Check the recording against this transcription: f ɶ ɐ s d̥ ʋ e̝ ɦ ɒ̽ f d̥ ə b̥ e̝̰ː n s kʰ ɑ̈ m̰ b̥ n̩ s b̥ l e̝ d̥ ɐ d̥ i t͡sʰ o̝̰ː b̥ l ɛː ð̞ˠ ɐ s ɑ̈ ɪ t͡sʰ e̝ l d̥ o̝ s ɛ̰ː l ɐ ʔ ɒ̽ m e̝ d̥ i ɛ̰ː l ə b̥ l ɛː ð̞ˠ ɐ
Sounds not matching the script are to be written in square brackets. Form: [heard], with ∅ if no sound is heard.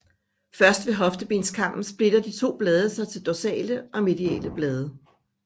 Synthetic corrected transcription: f ɶ ɐ s d̥ ʋ e̝ ɦ ɒ̽ f d̥ ə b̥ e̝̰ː n s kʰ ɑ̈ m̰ b̥ n̩ s b̥ l e̝ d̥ ɐ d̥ i t͡sʰ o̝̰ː b̥ l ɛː ð̞ˠ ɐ s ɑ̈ ɪ t͡sʰ e̝ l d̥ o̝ s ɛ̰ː l [ə] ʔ ɒ̽ m e̝ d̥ i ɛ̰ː l ə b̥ l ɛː ð̞ˠ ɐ